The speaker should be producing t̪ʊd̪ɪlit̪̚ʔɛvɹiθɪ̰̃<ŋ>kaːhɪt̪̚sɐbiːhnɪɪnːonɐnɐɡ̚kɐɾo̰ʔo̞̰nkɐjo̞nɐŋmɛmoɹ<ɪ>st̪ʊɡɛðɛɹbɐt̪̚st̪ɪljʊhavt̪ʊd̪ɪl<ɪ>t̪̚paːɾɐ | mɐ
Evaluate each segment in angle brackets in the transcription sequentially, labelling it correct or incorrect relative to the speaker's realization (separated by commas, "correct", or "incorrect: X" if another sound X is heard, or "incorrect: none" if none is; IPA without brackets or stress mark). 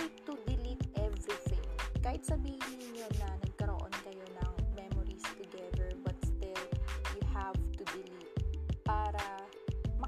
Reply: correct, incorrect: i, incorrect: i